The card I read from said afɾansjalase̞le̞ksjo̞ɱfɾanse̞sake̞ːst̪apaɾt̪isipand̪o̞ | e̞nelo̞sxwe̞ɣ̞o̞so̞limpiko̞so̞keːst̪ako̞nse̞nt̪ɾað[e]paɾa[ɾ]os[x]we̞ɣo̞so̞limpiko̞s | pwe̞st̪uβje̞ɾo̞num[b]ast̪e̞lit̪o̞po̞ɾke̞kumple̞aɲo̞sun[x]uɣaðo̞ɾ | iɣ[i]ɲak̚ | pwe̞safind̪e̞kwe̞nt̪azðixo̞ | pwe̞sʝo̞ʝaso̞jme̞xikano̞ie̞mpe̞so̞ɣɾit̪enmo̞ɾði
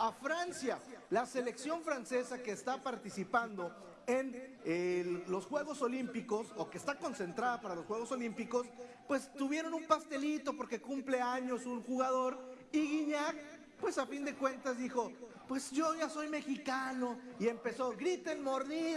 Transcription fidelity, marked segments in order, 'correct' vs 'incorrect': incorrect: a, incorrect: l, correct, incorrect: p, correct, correct

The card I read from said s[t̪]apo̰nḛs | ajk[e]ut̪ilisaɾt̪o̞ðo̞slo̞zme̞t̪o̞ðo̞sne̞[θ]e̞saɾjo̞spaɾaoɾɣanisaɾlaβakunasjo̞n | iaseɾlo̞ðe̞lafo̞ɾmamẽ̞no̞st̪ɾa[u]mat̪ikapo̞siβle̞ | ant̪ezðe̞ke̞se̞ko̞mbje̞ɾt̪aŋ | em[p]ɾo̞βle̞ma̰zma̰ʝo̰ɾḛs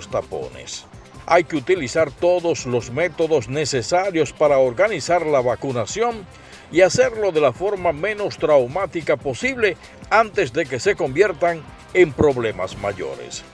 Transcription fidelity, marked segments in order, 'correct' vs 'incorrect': correct, correct, incorrect: s, incorrect: w, correct

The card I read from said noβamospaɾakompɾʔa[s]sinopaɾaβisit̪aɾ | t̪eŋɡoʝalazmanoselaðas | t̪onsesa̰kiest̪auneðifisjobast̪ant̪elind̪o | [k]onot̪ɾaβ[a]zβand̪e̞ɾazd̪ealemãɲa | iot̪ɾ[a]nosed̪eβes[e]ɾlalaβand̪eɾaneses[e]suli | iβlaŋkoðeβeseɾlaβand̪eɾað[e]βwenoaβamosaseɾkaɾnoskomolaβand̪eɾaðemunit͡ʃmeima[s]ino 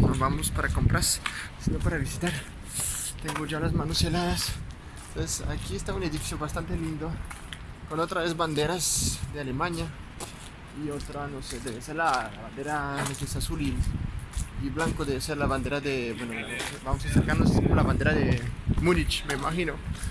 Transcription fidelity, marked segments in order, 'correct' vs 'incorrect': correct, correct, incorrect: e, correct, correct, incorrect: a, correct, incorrect: x

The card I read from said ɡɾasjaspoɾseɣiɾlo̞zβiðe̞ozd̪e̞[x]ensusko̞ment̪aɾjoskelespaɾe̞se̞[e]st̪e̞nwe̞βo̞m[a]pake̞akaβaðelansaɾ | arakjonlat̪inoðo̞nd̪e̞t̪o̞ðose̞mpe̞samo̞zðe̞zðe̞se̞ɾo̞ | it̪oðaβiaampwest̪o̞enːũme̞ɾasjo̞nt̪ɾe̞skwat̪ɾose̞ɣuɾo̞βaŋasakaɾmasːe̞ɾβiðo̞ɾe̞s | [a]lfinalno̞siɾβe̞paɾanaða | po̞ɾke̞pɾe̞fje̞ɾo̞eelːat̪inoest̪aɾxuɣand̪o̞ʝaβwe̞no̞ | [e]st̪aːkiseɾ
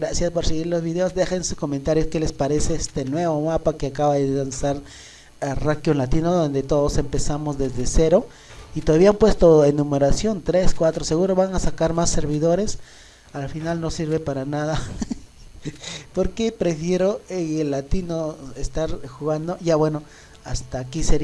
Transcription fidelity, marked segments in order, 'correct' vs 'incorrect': correct, correct, correct, correct, incorrect: a

